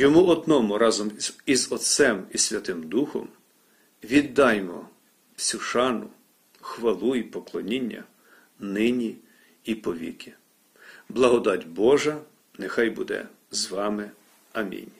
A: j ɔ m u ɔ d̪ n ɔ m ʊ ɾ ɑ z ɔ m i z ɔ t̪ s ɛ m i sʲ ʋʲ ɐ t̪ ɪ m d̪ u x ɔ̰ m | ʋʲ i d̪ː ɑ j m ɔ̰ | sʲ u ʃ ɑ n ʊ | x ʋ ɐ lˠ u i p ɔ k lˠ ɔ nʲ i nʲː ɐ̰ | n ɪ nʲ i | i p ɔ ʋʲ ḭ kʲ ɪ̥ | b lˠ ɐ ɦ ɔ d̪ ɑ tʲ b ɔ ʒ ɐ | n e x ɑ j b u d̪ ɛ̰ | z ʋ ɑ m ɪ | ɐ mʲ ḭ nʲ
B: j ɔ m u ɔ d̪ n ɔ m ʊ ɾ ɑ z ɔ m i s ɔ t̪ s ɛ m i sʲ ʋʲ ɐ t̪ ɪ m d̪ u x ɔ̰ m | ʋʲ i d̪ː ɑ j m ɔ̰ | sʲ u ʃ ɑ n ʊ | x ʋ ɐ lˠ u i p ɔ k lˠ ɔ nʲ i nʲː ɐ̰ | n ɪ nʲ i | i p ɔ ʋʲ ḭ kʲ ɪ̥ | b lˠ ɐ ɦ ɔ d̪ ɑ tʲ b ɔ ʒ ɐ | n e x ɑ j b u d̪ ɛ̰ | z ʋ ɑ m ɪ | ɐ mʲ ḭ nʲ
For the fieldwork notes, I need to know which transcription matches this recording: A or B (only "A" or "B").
A